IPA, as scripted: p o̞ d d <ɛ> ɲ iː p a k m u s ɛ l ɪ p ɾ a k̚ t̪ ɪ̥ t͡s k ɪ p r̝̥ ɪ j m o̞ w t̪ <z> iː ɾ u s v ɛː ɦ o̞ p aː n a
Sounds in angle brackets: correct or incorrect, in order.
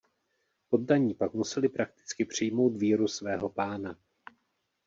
incorrect, incorrect

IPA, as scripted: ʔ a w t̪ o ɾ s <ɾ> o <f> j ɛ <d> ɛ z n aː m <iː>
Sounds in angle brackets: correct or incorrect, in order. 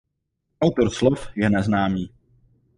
incorrect, correct, incorrect, correct

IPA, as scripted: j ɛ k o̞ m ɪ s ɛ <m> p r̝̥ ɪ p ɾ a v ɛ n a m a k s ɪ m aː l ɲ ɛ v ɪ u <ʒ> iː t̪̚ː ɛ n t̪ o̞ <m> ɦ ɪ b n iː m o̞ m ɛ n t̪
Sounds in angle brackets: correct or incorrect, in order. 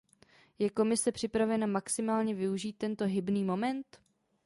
incorrect, correct, incorrect

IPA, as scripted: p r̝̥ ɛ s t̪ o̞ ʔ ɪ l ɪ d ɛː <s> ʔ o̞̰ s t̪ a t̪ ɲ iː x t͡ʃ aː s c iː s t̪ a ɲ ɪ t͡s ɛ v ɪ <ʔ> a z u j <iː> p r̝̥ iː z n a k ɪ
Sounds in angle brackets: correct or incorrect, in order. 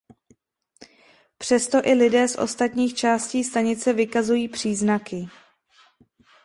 correct, incorrect, correct

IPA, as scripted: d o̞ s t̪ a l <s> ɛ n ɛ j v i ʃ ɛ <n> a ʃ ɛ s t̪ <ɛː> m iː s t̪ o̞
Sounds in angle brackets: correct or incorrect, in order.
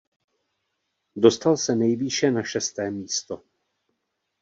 correct, correct, correct

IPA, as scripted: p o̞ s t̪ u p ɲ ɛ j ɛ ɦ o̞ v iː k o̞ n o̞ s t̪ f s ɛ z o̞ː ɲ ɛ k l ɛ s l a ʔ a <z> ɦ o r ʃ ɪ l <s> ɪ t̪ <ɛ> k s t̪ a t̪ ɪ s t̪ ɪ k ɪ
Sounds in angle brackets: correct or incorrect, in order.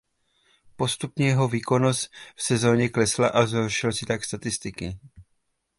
correct, correct, incorrect

